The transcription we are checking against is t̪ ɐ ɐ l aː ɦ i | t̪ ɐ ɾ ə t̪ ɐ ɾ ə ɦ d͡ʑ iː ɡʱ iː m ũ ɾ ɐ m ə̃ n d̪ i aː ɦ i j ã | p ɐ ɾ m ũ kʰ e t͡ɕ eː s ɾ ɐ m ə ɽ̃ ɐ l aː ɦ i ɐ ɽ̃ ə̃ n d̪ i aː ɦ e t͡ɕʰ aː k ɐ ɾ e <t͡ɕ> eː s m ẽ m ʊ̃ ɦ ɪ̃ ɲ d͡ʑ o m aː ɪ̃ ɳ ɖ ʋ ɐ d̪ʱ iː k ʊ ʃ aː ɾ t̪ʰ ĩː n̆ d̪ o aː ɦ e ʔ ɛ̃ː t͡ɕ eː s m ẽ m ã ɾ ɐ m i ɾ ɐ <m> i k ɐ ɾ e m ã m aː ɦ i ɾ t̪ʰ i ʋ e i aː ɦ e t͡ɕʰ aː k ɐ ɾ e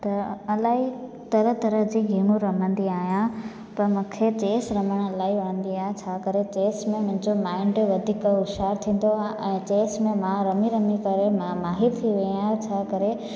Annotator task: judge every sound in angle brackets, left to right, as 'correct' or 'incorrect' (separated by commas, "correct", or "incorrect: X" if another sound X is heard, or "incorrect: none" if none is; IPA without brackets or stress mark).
correct, correct